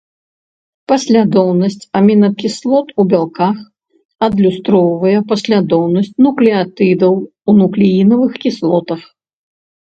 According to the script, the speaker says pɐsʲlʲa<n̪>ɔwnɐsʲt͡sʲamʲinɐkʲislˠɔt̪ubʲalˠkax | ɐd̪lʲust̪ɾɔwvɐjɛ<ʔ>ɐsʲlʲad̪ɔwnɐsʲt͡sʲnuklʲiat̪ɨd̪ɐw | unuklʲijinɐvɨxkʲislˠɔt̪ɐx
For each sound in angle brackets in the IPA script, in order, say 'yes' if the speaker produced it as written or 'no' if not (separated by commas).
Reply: no, no